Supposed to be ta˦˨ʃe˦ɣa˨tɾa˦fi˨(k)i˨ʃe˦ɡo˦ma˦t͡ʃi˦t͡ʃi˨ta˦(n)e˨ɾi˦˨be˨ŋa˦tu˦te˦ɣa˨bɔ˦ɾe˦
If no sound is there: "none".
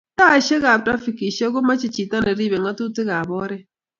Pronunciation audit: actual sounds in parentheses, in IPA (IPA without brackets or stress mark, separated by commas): k, n